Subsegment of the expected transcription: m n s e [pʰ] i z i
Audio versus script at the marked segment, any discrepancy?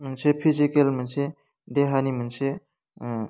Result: no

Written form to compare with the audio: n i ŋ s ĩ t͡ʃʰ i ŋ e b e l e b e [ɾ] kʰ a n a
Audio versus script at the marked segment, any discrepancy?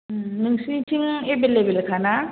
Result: yes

